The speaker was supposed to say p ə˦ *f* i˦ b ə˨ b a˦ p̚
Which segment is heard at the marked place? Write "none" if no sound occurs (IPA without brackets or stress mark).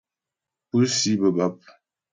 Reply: s